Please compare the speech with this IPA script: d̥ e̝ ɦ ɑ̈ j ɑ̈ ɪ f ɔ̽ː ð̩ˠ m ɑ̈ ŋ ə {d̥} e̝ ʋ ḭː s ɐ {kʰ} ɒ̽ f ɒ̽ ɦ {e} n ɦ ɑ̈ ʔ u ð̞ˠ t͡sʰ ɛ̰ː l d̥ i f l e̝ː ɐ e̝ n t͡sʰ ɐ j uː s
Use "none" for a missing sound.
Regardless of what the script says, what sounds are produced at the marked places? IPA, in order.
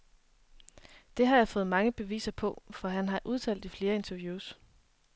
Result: b̥, pʰ, æ

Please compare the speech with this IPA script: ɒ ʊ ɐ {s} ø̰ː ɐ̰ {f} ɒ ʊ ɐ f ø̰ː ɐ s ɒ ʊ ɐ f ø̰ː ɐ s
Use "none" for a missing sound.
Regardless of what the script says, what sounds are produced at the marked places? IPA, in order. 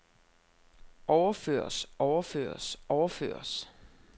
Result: f, s

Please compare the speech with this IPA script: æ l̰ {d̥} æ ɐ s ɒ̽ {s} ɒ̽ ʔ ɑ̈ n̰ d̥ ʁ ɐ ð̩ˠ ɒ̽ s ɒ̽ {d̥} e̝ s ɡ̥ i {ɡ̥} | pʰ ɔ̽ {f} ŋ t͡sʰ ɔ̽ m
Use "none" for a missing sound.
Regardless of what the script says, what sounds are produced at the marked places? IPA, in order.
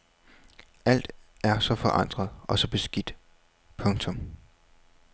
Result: d̥, f, b̥, d̥, none

